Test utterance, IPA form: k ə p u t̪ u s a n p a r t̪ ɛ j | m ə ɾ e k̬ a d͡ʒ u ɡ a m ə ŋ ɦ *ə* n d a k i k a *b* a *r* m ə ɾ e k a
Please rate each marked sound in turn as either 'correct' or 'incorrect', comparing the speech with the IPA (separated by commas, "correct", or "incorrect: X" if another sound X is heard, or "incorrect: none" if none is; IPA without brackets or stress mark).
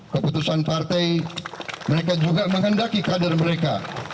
correct, incorrect: d, correct